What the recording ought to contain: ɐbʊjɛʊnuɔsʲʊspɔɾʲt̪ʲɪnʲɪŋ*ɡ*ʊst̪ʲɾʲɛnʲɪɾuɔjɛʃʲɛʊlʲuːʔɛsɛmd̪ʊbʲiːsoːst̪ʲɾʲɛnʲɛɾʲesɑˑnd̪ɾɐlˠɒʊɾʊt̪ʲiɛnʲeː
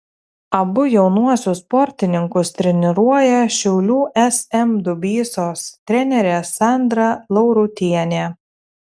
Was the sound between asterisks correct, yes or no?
no